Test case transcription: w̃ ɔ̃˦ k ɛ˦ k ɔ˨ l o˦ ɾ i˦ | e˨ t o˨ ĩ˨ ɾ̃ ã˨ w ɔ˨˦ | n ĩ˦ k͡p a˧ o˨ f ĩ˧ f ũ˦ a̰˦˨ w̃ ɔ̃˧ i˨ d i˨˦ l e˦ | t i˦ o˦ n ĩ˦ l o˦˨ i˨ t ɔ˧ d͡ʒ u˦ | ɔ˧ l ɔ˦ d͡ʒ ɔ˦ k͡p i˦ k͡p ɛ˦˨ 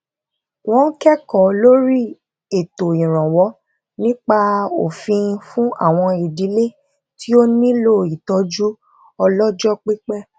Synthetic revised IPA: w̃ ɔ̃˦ k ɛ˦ k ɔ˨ l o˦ ɾ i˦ | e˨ t o˨ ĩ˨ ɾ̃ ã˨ w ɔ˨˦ | n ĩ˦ k͡p a˧ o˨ f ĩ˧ f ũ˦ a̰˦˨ w̃ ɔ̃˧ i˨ d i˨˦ l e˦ | t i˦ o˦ n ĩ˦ l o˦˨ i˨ t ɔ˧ d͡ʒ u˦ | ɔ˧ l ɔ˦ d͡ʒ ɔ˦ k͡p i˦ k͡p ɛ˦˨